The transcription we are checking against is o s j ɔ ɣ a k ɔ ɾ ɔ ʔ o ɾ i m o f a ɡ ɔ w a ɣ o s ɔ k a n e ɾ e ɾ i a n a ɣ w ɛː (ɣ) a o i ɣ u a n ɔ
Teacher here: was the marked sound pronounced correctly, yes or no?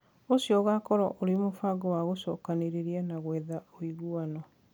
no